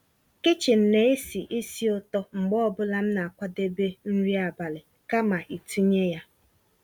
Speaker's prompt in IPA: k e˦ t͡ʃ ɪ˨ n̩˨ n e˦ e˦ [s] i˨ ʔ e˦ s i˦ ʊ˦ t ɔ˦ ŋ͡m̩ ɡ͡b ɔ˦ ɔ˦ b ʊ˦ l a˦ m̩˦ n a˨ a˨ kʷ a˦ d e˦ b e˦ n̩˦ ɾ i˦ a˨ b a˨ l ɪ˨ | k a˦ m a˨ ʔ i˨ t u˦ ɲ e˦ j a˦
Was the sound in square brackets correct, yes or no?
yes